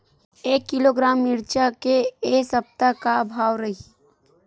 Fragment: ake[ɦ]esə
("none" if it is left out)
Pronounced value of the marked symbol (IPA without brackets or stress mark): none